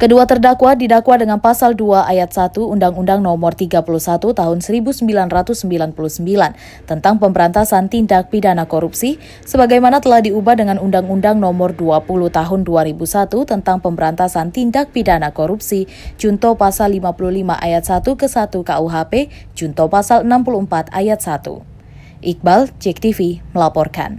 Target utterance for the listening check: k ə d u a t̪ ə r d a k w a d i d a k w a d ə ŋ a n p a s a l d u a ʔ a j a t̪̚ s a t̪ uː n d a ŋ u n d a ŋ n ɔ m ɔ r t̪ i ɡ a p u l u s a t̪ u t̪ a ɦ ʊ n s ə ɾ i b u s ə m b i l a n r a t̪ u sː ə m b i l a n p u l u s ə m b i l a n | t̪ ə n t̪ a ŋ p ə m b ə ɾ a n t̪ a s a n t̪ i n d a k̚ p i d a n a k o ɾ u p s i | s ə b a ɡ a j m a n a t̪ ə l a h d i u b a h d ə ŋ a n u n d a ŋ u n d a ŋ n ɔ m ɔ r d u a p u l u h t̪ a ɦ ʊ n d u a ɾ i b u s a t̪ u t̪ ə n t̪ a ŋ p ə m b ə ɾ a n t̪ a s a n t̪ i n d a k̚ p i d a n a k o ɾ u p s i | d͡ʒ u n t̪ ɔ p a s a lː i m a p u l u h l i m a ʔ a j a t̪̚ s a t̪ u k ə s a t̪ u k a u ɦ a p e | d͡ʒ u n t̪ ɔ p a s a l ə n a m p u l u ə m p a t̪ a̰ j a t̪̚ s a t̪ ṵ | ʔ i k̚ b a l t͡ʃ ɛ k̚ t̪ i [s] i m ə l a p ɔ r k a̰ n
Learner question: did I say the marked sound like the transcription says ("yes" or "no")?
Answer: no